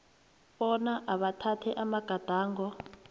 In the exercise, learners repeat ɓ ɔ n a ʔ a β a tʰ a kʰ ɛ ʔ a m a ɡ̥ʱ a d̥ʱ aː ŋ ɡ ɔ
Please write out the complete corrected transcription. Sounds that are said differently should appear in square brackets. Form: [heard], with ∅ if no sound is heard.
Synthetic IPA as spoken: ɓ ɔ n a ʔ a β a tʰ a [tʰ] ɛ ʔ a m a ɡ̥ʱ a d̥ʱ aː ŋ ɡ ɔ

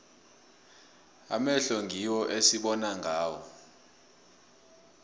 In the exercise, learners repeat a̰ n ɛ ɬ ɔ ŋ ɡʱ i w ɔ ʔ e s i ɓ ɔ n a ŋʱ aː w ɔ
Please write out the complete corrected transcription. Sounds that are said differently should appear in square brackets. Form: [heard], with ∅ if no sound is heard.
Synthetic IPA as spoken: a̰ [m] ɛ ɬ ɔ ŋ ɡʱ i w ɔ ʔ e s i ɓ ɔ n a ŋʱ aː w ɔ

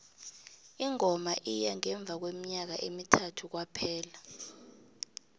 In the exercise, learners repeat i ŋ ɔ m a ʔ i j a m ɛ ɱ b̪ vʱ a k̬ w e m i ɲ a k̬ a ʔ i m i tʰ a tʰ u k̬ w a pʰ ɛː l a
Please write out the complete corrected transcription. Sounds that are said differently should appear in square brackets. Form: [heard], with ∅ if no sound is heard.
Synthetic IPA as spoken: i ŋ ɔ m a ʔ i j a [ŋ] ɛ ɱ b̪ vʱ a k̬ w e m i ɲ a k̬ a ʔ [e] m i tʰ a tʰ u k̬ w a pʰ ɛː l a

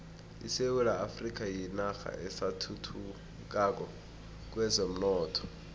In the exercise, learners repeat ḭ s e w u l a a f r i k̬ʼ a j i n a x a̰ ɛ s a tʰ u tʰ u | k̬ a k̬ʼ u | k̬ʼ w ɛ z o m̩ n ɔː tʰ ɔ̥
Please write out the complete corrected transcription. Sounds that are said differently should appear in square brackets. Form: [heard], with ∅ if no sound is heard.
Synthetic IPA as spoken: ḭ s e w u l a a f r i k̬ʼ a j i n a x a̰ ɛ s a tʰ u tʰ u | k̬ a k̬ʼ [ɔ] | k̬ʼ w ɛ z o m̩ n ɔː tʰ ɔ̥

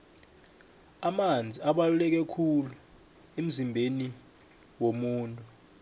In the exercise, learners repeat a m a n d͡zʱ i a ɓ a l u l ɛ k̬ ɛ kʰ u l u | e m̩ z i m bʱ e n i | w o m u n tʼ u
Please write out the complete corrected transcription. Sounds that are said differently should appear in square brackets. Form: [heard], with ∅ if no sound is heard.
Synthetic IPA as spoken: a m a n d͡zʱ i a ɓ a l u l ɛ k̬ ɛ kʰ u l u | e m̩ z i m bʱ e n i | w o m [uː] n tʼ u

